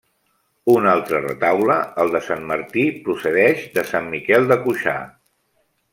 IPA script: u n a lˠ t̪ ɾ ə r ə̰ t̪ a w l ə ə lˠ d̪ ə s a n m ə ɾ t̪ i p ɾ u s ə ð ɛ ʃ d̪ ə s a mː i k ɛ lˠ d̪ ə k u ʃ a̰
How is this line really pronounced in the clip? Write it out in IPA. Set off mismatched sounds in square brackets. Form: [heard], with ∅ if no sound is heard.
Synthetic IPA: u n a lˠ t̪ ɾ ə r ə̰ t̪ a w l ə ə lˠ d̪ ə s a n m ə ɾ t̪ i p ɾ u s ə ð ɛ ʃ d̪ ə s a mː i k ɛ lˠ d̪ ə k u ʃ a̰